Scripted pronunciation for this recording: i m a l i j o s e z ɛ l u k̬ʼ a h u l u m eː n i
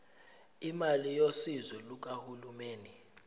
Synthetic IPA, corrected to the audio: i m a l i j o s i z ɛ l u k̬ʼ a h u l u m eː n i